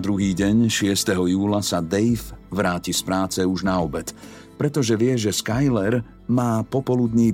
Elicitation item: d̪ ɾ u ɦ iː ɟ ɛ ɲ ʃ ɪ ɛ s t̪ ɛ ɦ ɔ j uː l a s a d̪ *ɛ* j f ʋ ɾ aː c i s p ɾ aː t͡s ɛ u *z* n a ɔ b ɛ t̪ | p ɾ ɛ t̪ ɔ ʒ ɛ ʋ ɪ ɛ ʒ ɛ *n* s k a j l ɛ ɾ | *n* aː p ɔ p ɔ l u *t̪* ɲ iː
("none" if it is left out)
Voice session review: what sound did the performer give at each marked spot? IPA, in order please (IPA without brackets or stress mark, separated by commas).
ɛ, ʒ, none, m, d̪